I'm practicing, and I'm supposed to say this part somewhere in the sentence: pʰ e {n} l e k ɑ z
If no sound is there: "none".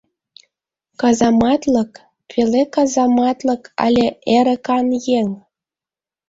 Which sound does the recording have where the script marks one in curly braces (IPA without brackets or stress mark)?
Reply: none